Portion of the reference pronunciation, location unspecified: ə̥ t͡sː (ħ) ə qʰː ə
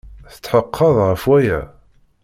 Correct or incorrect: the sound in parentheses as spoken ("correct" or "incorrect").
correct